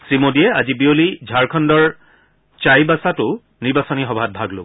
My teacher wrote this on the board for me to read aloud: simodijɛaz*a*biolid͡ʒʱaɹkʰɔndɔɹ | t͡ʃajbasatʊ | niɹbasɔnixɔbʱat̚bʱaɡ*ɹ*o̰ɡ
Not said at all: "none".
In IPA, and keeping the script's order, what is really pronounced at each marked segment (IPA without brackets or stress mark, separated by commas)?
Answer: i, l